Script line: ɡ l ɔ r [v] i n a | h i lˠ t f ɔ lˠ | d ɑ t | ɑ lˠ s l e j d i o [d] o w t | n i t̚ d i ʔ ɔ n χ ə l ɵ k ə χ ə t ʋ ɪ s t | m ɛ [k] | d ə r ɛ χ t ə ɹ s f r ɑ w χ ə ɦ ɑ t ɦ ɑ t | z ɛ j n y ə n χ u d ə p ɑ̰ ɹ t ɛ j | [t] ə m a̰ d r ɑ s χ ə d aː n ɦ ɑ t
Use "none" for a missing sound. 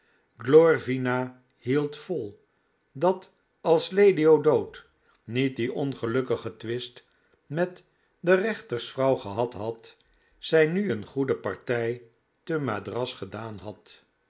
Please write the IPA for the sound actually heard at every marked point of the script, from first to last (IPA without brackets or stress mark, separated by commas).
v, d, t, t